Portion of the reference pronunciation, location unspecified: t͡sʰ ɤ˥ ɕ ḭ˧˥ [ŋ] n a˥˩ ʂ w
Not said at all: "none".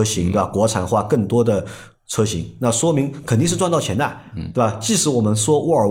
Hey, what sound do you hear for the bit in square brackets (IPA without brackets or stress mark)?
ŋ